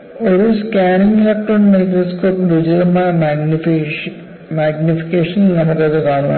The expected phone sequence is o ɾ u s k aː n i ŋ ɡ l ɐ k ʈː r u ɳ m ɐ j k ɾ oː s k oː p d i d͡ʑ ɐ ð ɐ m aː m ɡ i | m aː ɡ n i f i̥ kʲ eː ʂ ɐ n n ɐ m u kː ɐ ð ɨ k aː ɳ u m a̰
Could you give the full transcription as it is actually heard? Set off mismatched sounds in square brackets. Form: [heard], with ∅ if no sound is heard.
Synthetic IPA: o ɾ u s k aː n i ŋ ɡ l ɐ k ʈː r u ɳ m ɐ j k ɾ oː s k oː p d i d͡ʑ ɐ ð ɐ m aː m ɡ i | m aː ɡ n i f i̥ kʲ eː ʂ ɐ n n ɐ m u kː ɐ ð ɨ k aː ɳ u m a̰